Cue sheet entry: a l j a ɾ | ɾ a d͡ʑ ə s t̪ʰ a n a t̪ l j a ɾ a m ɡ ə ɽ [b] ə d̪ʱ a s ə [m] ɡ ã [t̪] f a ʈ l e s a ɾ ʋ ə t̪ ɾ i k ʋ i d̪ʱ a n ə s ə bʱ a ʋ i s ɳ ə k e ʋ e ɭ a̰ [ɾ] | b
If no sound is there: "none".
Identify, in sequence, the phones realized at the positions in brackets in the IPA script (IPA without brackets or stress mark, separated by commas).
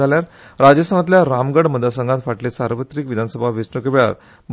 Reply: m, ŋ, t̪, ɾ